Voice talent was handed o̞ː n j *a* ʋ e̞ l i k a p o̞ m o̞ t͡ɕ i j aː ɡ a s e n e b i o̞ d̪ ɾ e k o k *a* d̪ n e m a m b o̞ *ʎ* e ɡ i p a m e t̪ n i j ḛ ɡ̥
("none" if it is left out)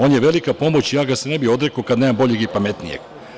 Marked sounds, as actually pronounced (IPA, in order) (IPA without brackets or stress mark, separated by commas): e, a, ʎ